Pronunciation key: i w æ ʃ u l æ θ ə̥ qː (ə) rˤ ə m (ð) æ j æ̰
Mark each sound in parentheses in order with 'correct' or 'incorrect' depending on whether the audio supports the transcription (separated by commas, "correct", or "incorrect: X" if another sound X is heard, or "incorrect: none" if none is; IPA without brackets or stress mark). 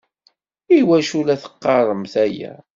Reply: incorrect: ɑ, incorrect: θ